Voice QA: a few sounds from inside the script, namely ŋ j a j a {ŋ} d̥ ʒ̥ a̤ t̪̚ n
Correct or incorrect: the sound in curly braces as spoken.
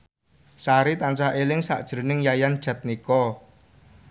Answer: incorrect: n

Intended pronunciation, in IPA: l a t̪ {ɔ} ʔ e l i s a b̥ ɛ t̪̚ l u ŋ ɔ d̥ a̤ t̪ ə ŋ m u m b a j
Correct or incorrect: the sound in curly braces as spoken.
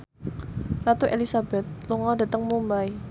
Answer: incorrect: u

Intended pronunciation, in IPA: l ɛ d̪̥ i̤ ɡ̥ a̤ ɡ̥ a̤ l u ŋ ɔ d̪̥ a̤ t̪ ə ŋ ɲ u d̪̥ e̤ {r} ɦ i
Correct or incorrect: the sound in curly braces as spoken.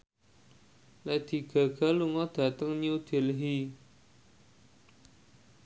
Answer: incorrect: l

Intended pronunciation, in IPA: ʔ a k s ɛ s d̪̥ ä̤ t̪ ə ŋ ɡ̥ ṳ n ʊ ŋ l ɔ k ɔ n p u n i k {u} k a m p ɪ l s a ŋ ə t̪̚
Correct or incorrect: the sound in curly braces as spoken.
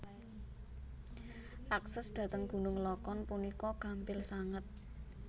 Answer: incorrect: ɔ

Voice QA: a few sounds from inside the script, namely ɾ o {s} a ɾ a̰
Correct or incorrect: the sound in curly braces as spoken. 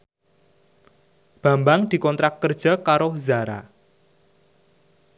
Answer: incorrect: z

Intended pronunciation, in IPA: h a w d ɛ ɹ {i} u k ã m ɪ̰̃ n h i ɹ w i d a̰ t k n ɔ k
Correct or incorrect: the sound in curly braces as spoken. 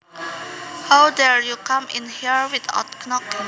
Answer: incorrect: j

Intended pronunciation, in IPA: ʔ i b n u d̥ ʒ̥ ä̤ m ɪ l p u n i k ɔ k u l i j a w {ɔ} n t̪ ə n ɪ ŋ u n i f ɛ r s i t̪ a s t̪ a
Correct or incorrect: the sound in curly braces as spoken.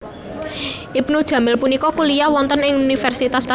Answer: correct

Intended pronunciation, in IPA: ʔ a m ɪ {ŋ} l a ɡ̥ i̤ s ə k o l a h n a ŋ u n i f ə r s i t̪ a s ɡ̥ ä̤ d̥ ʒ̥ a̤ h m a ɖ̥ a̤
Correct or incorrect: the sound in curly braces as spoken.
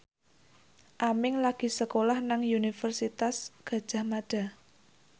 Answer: correct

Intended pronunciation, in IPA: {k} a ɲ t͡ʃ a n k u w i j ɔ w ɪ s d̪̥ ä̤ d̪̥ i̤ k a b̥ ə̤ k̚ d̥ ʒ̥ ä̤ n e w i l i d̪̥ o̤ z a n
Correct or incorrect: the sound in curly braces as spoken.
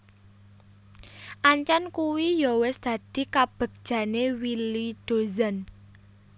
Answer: incorrect: ʔ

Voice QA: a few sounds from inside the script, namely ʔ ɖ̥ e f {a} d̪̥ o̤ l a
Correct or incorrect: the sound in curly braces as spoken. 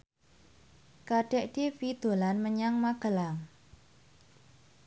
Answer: incorrect: i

